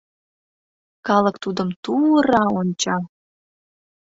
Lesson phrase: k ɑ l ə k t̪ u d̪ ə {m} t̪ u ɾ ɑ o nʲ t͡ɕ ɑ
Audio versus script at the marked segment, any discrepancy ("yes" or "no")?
no